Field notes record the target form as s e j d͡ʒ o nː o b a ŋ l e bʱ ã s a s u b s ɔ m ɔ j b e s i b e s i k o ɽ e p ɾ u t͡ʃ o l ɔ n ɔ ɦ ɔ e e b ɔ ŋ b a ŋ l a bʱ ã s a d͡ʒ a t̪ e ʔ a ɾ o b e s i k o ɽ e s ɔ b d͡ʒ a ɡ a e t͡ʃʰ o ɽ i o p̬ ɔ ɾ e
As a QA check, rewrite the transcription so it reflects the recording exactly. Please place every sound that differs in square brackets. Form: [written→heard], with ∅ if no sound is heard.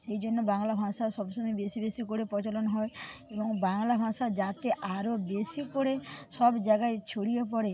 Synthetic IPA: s e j d͡ʒ o nː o b a ŋ l [e→a] bʱ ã s a s [u→ɔ] b s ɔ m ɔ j b e s i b e s i k o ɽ e p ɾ [u→ɔ] t͡ʃ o l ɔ n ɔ ɦ ɔ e e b ɔ ŋ b a ŋ l a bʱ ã s a d͡ʒ a t̪ e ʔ a ɾ o b e s i k o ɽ e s ɔ b d͡ʒ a ɡ a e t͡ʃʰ o ɽ i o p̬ ɔ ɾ e

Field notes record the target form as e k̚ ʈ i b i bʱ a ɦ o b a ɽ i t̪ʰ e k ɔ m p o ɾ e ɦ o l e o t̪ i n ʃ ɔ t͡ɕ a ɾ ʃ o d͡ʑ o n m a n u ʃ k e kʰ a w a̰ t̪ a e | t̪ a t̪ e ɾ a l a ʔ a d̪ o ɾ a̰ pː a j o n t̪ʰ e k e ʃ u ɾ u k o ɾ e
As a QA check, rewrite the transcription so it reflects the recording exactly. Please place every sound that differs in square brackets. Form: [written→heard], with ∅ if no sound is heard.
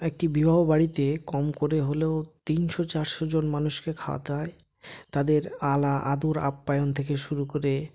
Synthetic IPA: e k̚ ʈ i b i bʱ a ɦ o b a ɽ i [t̪ʰ→t̪] e k ɔ m [p→k] o ɾ e ɦ o l e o t̪ i n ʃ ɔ t͡ɕ a ɾ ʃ o d͡ʑ o n m a n u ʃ k e kʰ a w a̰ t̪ a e | t̪ a [t̪→d̪] e ɾ a l a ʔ a d̪ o ɾ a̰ pː a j o n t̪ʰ e k e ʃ u ɾ u k o ɾ e

